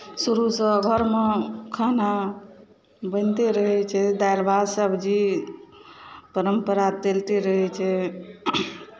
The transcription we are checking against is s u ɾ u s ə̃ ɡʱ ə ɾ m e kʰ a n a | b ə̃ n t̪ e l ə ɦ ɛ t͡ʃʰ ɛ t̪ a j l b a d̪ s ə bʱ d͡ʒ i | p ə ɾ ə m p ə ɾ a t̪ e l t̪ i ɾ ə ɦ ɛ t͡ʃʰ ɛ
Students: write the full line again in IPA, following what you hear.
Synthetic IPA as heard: s u ɾ u s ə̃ ɡʱ ə ɾ m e kʰ a n a | b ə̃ n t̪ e ɾ ə ɦ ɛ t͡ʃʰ ɛ d̪ a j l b a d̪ s ə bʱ d͡ʒ i | p ə ɾ ə m p ə ɾ a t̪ e l t̪ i ɾ ə ɦ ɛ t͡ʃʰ ɛ